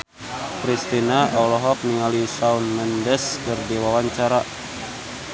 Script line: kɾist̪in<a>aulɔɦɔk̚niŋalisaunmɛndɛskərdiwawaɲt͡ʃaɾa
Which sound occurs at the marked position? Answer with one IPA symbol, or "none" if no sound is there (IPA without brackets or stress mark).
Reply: a